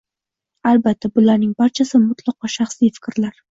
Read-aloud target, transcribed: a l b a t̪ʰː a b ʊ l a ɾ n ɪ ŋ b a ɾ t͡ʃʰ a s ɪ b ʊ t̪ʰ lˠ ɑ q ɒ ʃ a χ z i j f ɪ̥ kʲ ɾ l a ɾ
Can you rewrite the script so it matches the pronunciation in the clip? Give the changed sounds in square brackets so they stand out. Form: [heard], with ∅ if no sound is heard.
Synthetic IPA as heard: a l b a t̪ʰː a b ʊ l a ɾ n ɪ ŋ b a ɾ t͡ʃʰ a s ɪ [m] ʊ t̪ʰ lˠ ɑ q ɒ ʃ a χ [s] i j f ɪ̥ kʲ ɾ l a ɾ

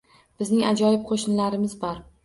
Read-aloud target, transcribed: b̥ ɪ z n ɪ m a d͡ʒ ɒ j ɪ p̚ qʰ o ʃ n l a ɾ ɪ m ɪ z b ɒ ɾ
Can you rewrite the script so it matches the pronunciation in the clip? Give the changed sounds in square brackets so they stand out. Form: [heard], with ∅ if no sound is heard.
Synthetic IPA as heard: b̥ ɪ z n ɪ [ŋ] a d͡ʒ ɒ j ɪ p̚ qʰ o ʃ n l a ɾ ɪ m ɪ z b ɒ ɾ

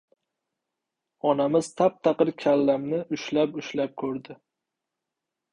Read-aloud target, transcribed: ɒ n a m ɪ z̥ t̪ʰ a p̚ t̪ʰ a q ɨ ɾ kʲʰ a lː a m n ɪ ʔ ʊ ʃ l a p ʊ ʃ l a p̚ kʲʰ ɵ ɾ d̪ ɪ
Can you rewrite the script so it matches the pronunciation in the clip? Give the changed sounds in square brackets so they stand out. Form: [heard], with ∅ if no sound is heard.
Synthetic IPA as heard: ɒ n a m ɪ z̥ t̪ʰ a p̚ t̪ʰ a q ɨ ɾ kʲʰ a lː a m n ɪ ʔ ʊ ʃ l a p ʊ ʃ l a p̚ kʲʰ ɵ ɾ d̪ ɪ

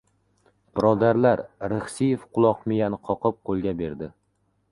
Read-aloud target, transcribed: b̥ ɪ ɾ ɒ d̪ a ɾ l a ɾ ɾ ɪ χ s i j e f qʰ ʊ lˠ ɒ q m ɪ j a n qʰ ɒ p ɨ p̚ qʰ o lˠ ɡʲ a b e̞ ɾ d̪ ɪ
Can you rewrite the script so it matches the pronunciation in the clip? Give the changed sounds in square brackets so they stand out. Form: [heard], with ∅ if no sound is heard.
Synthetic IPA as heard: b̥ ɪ ɾ ɒ d̪ a ɾ l a ɾ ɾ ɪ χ s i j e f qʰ ʊ lˠ ɒ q m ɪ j a n qʰ ɒ [q] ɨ p̚ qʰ o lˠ ɡʲ a b e̞ ɾ d̪ ɪ

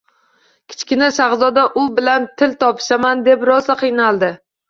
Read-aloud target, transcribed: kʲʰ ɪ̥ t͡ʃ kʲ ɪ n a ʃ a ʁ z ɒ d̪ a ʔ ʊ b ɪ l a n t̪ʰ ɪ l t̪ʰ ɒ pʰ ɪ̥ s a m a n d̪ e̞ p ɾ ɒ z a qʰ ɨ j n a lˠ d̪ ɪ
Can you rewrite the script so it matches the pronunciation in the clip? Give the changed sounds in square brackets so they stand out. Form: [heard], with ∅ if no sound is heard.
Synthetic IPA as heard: kʲʰ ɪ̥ t͡ʃ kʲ ɪ n a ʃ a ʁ z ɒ d̪ a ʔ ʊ b ɪ l a n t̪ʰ ɪ l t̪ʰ ɒ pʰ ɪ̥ [ʃ] a m a n d̪ e̞ p ɾ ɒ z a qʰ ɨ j n a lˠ d̪ ɪ

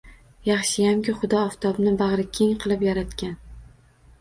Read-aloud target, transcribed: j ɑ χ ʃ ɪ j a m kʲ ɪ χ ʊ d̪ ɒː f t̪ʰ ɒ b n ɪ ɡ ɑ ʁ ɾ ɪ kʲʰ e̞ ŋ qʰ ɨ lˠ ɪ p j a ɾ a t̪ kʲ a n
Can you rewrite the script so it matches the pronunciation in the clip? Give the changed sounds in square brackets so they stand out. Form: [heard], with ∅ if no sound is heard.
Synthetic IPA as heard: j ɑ χ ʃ ɪ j a m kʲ ɪ χ ʊ d̪ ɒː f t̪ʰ ɒ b n ɪ [b] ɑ ʁ ɾ ɪ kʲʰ e̞ ŋ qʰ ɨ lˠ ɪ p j a ɾ a t̪ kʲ a n

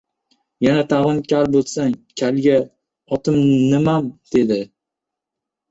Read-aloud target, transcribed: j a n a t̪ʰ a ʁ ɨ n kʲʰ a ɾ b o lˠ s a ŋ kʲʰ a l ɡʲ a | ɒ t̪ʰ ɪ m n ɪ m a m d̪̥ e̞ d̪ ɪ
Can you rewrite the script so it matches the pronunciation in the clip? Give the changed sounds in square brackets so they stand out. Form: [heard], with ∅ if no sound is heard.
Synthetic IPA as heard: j a n a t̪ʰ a ʁ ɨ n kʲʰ a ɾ b o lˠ s a ŋ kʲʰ a l ɡʲ a | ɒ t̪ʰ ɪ m n ɪ m a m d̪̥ e̞ d̪ ɪ

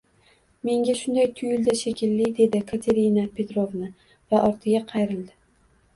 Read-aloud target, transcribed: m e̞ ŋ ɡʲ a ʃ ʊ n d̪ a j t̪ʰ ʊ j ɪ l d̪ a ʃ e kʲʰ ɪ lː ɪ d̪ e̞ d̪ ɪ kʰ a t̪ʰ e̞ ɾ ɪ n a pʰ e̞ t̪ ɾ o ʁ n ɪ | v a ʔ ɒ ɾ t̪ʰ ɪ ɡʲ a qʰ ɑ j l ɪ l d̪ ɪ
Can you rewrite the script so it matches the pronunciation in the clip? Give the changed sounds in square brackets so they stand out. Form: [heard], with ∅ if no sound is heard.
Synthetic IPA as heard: m e̞ ŋ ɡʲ a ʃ ʊ n d̪ a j t̪ʰ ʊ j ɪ l d̪ a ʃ e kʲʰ ɪ lː ɪ d̪ e̞ d̪ ɪ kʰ a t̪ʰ e̞ ɾ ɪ n a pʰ e̞ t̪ ɾ o [v] n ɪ | v a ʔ ɒ ɾ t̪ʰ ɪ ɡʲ a qʰ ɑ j [ɾ] ɪ l d̪ ɪ

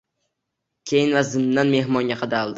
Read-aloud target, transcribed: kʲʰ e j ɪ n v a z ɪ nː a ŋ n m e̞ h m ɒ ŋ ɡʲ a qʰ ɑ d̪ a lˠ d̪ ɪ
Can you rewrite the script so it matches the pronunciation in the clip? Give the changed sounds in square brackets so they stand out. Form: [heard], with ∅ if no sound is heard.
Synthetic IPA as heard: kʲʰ e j ɪ n v a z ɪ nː a [∅] n m e̞ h m ɒ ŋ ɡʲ a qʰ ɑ d̪ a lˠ d̪ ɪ

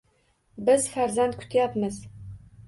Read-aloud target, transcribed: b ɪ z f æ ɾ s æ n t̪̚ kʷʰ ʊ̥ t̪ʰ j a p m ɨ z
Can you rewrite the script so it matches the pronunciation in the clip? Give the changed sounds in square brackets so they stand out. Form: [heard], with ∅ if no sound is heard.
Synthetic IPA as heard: b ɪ z f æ ɾ [z] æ n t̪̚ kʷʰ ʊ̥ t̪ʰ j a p m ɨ z

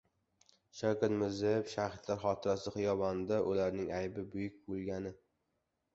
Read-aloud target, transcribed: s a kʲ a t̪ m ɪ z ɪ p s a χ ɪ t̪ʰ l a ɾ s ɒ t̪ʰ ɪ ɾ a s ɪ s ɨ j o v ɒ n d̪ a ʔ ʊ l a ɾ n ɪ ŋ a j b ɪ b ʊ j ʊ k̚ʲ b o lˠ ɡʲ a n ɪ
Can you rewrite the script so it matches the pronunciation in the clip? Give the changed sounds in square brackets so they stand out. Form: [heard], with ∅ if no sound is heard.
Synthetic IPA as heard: [ʃ] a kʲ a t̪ m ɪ z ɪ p [ʃ] a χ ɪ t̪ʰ l a ɾ [χ] ɒ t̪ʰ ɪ ɾ a s ɪ [χ] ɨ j [ɒ] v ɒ n d̪ a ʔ ʊ l a ɾ n ɪ ŋ a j b ɪ b ʊ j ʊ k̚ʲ b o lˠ ɡʲ a n ɪ

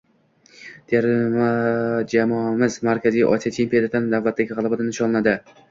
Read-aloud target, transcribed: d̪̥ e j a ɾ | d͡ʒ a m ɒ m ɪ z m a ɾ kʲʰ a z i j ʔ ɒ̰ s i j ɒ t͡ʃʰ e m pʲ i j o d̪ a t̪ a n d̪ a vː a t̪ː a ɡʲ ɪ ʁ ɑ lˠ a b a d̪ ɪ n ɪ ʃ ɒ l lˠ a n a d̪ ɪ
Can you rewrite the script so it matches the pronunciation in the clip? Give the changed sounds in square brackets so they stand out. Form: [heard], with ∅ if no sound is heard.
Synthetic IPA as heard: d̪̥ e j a ɾ | d͡ʒ a m ɒ m ɪ z m a ɾ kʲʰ a z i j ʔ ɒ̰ s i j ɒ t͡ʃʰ e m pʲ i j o d̪ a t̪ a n d̪ a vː a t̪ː a ɡʲ ɪ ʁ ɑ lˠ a b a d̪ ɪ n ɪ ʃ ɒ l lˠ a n a d̪ ɪ

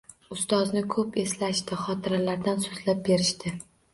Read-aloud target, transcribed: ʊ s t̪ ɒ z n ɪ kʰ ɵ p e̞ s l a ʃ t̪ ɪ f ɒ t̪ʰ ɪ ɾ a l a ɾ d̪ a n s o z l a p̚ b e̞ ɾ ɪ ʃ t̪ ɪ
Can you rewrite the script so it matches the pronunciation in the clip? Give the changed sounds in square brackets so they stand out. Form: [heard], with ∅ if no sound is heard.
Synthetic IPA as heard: ʊ s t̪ ɒ z n ɪ kʰ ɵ p e̞ s l a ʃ t̪ ɪ [χ] ɒ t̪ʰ ɪ ɾ a l a ɾ d̪ a n s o z l a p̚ b e̞ ɾ ɪ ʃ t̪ ɪ

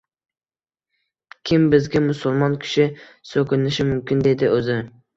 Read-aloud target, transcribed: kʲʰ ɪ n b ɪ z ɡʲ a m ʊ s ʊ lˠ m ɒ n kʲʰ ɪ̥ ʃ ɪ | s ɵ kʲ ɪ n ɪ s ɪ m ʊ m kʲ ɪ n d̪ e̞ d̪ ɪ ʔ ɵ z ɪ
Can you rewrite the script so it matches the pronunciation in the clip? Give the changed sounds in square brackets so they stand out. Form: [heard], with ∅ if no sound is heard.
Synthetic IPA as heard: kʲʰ ɪ [m] b ɪ z ɡʲ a m ʊ s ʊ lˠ m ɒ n kʲʰ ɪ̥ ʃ ɪ | s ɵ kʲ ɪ n ɪ [ʃ] ɪ m ʊ m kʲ ɪ n d̪ e̞ d̪ ɪ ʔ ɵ z ɪ

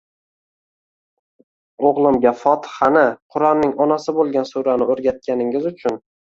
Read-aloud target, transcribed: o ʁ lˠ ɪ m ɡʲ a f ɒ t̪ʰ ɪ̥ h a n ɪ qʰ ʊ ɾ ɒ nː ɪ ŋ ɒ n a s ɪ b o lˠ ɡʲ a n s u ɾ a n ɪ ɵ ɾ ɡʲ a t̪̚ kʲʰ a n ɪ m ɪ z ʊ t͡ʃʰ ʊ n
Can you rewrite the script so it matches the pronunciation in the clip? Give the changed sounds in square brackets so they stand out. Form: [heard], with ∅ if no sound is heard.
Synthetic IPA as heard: o ʁ lˠ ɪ m ɡʲ a f ɒ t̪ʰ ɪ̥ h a n ɪ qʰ ʊ ɾ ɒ nː ɪ ŋ ɒ n a s ɪ b o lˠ ɡʲ a n s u ɾ a n ɪ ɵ ɾ ɡʲ a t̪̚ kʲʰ a n ɪ [ŋ] ɪ z ʊ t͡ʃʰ ʊ n

